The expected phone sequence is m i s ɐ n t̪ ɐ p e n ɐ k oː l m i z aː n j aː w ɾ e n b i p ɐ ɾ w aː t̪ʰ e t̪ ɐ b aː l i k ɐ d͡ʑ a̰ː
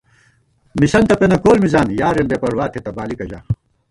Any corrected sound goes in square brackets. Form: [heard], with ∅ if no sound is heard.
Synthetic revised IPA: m i s ɐ n t̪ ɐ p e n ɐ k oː l m i z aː n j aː [∅] ɾ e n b [e] p ɐ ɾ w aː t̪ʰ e t̪ ɐ b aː l i k ɐ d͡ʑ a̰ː

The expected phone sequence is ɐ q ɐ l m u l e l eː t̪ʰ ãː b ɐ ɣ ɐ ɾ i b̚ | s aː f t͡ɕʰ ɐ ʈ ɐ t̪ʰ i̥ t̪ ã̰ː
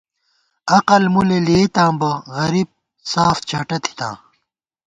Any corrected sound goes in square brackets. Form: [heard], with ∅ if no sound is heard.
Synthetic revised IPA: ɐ q ɐ l m u l e l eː [t̪] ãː b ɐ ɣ ɐ ɾ i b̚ | s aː f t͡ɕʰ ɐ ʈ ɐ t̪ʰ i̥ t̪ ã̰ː

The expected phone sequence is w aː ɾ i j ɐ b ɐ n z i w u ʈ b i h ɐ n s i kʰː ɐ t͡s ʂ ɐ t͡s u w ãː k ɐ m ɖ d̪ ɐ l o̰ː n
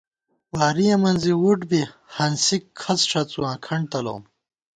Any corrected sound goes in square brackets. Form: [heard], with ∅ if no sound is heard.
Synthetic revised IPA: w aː ɾ i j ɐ [m] ɐ n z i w u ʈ b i h ɐ n s i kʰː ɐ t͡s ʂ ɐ t͡s u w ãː [kʰ] ɐ [ɳ] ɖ [t̪] ɐ l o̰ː [m]

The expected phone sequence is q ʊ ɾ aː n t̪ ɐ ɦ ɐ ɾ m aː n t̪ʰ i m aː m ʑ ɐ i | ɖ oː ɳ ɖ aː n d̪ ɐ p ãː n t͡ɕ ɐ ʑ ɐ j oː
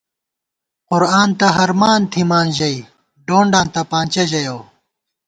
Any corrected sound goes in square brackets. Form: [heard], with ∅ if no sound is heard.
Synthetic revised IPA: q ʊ ɾ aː n t̪ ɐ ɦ ɐ ɾ m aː n t̪ʰ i m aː [n] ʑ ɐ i | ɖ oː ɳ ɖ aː n [t̪] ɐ p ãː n t͡ɕ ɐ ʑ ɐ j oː

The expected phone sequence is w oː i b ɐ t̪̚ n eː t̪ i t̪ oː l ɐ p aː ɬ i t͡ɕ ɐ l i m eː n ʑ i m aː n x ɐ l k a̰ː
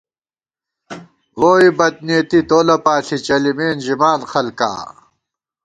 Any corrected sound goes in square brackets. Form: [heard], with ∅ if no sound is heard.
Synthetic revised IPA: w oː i b ɐ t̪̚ n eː t̪ i t̪ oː l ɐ p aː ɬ i t͡ɕ ɐ l i m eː n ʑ i m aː n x ɐ l k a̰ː

